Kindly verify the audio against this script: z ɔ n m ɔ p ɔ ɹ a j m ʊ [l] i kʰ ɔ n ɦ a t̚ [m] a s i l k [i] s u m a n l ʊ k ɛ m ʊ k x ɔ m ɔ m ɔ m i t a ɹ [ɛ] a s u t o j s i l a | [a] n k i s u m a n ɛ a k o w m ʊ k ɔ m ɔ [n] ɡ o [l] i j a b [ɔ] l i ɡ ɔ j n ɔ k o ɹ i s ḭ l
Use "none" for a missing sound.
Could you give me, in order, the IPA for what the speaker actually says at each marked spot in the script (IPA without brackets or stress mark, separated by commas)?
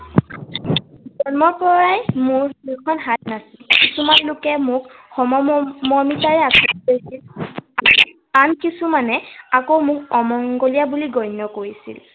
ɹ, n, i, ɛ, a, ŋ, l, u